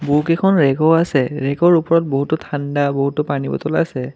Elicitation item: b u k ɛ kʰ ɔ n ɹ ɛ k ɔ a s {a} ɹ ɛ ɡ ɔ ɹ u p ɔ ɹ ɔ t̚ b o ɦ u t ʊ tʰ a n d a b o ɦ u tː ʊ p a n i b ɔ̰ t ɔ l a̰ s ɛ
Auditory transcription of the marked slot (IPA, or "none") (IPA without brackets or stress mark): ɛ